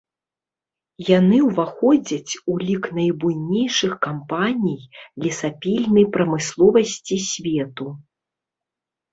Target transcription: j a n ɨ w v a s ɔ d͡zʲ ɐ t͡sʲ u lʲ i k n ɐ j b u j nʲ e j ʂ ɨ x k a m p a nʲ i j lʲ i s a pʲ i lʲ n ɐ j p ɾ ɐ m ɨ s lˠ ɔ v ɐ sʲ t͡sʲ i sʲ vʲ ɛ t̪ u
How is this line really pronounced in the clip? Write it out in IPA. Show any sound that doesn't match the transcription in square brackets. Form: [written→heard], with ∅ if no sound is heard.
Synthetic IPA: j a n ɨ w v a [s→x] ɔ d͡zʲ ɐ t͡sʲ u lʲ i k n ɐ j b u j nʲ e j ʂ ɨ x k a m p a nʲ i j lʲ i s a pʲ i lʲ n ɐ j p ɾ ɐ m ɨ s lˠ ɔ v ɐ sʲ t͡sʲ i sʲ vʲ ɛ t̪ u